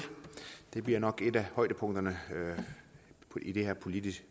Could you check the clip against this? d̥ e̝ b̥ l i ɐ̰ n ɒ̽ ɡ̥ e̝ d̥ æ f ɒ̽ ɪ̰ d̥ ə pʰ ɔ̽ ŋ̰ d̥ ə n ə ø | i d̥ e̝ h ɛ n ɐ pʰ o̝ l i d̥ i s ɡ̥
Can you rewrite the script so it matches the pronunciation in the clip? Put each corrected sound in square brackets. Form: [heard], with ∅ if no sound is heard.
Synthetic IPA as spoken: d̥ e̝ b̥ l i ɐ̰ n ɒ̽ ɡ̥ e̝ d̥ æ [h] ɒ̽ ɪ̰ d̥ ə pʰ ɔ̽ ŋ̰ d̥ [ɐ] n ə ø | i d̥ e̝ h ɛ [∅] ɐ pʰ o̝ l i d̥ i s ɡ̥